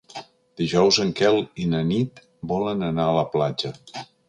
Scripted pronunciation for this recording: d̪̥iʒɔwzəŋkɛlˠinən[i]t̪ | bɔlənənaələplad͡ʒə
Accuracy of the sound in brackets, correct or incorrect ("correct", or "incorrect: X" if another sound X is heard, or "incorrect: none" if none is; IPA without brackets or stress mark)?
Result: correct